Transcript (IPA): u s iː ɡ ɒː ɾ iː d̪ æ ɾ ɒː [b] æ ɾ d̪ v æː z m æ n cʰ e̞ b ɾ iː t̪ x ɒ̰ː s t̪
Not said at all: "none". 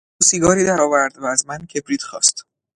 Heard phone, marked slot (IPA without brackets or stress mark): v